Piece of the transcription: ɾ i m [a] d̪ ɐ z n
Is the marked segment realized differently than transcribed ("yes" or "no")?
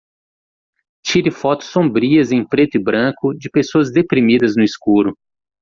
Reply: yes